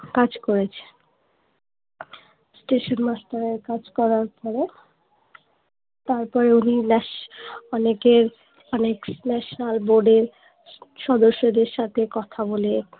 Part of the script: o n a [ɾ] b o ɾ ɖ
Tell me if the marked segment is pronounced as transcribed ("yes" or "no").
no